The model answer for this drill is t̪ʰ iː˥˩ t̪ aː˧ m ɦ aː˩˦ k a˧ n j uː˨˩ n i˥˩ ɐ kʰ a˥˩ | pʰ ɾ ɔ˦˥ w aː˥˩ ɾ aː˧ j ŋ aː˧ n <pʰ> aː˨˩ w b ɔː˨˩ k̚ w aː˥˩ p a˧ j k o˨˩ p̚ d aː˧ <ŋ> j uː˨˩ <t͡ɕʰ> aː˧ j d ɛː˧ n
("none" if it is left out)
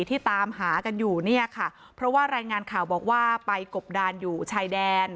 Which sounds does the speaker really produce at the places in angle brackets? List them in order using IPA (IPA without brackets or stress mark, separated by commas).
kʰ, n, t͡ɕʰ